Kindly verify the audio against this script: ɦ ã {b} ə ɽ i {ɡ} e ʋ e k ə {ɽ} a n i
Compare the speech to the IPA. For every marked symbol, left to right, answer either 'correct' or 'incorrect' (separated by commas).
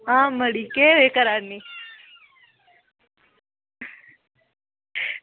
incorrect, incorrect, incorrect